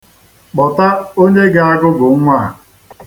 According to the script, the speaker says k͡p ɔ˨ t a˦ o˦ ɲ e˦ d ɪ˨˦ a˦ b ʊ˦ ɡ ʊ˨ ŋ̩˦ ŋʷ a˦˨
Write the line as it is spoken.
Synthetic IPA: k͡p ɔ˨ t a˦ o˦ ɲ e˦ ɡ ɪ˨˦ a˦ ɡ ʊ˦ ɡ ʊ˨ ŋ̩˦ ŋʷ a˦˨